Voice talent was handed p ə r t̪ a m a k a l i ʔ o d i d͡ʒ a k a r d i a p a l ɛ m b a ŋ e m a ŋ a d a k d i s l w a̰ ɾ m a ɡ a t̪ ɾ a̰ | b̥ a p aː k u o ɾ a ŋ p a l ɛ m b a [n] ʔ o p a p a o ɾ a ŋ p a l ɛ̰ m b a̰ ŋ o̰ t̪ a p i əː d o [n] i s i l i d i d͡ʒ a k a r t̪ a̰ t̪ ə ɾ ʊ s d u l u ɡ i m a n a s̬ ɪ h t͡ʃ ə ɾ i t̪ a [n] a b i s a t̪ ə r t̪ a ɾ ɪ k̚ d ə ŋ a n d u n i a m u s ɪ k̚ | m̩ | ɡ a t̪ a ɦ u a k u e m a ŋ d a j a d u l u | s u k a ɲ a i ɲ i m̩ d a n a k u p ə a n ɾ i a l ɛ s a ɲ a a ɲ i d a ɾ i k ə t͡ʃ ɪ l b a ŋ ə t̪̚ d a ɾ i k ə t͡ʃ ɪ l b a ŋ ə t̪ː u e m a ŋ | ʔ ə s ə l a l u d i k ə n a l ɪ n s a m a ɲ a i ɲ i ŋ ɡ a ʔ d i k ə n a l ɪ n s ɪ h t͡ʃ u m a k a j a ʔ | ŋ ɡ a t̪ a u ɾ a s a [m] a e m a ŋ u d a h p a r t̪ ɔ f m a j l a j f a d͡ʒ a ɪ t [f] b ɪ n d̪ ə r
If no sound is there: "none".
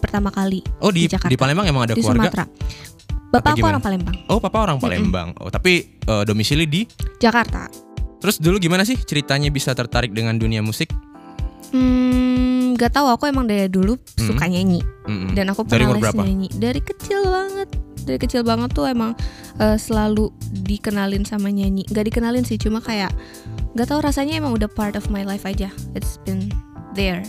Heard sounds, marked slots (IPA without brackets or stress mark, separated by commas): ŋ, m, ɲ, ɲ, s